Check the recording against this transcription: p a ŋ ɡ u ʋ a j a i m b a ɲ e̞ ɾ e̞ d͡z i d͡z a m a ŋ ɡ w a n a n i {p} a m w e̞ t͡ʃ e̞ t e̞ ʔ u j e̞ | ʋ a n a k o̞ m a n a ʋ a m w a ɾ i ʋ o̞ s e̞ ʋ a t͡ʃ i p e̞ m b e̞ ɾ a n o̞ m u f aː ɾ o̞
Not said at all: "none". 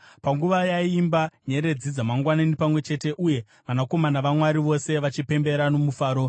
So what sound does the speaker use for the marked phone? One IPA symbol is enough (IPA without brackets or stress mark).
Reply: p